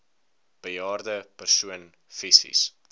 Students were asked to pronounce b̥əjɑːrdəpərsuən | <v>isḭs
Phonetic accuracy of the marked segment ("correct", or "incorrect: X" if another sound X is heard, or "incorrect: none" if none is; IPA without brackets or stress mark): incorrect: f